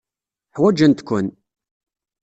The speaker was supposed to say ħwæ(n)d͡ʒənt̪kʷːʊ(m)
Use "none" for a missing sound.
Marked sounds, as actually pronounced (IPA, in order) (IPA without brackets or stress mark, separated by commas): none, n